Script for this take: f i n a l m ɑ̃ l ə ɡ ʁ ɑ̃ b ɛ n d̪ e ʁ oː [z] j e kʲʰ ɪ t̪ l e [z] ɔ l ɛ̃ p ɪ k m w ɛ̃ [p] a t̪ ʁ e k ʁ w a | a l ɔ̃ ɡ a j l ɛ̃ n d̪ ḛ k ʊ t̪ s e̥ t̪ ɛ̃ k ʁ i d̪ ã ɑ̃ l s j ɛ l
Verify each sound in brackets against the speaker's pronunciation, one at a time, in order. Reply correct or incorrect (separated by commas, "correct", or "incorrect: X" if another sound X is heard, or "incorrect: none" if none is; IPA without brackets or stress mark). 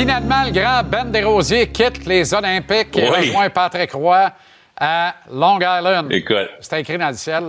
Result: correct, correct, correct